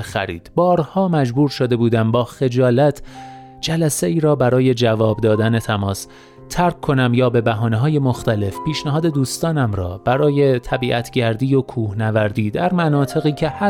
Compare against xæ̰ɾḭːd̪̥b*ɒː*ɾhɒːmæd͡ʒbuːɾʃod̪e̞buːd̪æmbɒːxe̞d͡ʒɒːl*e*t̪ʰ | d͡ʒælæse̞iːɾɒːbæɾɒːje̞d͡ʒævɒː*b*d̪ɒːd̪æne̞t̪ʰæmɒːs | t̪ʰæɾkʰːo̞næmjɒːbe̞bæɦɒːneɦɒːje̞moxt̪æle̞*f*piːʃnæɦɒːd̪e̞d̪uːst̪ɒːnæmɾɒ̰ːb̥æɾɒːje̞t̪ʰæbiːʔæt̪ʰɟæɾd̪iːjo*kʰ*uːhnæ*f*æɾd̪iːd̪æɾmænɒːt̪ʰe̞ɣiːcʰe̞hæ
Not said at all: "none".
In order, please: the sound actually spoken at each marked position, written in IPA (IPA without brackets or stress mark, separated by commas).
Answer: ɒː, æ, b, f, kʰ, v